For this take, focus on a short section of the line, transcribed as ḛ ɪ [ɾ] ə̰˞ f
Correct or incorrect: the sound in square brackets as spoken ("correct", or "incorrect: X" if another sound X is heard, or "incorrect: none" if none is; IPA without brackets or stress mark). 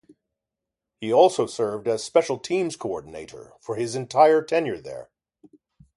correct